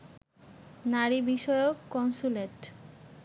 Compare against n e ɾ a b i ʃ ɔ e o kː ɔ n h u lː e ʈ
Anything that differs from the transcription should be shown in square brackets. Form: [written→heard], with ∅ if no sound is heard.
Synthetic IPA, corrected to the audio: n [e→a] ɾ [a→i] b i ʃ ɔ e o kː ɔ n [h→s] u [lː→l] e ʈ